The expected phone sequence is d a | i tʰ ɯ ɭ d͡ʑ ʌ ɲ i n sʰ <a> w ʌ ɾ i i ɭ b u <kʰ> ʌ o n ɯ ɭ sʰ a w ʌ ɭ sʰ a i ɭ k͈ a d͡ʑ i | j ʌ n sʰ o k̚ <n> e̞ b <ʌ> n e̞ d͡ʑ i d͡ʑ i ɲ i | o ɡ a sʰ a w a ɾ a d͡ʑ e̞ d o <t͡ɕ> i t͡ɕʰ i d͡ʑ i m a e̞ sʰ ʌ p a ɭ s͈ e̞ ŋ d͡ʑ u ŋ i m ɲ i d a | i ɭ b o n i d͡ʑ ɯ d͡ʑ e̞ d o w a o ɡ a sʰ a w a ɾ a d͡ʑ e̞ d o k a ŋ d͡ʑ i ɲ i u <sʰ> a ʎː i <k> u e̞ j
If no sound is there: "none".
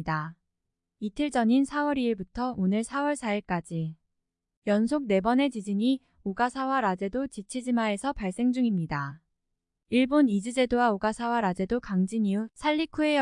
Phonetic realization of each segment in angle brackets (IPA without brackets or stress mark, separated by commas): a, tʰ, n, ʌ, t͡ɕ, sʰ, kʰ